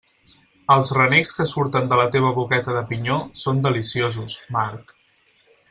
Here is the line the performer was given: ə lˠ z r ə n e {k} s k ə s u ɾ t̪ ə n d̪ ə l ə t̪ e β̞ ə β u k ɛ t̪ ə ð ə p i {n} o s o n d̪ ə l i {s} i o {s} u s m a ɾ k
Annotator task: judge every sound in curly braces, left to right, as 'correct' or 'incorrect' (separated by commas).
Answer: correct, incorrect, correct, incorrect